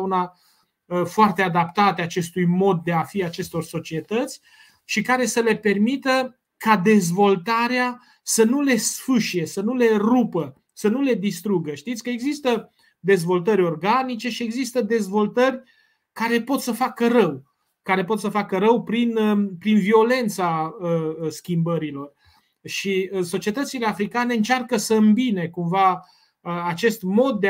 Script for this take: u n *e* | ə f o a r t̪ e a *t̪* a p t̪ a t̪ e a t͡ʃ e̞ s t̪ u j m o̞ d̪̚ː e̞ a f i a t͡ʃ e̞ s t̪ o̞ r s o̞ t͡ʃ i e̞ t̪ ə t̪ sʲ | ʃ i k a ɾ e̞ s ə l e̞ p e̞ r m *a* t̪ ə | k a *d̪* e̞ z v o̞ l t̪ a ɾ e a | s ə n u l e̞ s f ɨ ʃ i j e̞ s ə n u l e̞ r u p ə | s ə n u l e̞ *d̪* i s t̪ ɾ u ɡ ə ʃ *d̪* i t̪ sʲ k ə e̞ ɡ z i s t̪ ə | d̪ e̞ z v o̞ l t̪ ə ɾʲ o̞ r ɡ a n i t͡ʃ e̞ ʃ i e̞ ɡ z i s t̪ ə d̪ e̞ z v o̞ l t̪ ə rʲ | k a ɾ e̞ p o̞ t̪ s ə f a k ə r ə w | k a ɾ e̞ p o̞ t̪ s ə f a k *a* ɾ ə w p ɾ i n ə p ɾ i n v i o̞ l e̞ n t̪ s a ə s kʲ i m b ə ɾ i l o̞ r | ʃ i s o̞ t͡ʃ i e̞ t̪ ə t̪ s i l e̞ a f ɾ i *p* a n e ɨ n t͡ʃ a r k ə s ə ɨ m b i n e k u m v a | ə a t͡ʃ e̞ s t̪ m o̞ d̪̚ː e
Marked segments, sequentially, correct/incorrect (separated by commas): incorrect, incorrect, incorrect, correct, correct, incorrect, incorrect, incorrect